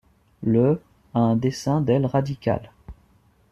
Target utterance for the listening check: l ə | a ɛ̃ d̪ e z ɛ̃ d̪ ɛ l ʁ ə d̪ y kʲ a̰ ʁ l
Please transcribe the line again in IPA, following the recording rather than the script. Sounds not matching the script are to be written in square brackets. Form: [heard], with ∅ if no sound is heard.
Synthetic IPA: l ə | a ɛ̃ d̪ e [s] ɛ̃ d̪ ɛ l ʁ [a] d̪ [i] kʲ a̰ [∅] l